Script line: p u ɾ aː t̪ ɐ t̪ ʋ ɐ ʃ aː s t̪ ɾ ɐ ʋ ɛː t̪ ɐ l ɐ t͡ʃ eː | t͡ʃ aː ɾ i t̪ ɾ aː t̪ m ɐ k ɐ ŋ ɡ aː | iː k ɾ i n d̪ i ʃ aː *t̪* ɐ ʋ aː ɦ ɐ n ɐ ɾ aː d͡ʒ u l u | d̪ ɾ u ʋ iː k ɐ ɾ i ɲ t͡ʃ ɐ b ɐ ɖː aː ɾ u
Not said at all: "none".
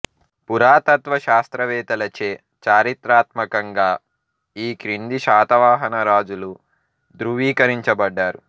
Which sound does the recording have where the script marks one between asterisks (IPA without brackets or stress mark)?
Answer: t̪